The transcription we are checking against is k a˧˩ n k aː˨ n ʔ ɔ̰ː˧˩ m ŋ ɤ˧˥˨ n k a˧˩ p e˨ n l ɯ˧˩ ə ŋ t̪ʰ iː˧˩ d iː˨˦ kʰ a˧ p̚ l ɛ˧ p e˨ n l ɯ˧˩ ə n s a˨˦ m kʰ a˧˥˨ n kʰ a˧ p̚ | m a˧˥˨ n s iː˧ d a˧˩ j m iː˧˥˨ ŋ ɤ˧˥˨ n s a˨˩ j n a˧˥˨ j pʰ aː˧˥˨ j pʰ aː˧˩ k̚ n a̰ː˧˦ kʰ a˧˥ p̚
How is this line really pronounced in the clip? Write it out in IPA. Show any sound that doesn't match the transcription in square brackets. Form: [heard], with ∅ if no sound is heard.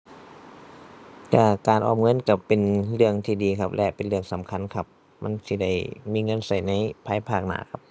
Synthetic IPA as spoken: k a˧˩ [∅] k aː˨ n ʔ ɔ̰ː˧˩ m ŋ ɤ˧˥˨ n k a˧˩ p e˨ n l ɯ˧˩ ə ŋ t̪ʰ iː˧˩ d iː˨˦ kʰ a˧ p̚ l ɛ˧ p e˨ n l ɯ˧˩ ə [ŋ] s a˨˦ m kʰ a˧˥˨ n kʰ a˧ p̚ | m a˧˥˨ n s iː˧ d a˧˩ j m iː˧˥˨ ŋ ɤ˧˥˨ n s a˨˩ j n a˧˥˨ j pʰ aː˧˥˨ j pʰ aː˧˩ k̚ n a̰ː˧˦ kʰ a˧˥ p̚